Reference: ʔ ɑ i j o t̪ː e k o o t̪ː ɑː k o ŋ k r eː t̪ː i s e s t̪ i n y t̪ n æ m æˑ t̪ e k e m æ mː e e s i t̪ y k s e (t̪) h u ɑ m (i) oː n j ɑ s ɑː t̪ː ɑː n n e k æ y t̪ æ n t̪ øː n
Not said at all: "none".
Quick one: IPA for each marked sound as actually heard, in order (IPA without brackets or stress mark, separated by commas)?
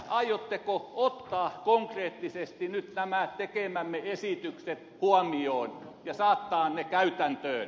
t̪, i